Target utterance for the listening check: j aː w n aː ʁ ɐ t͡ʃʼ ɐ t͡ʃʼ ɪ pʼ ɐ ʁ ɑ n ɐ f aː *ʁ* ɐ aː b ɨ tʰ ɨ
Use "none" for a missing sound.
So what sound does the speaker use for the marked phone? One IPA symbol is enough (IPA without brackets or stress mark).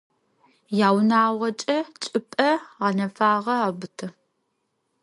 ʁ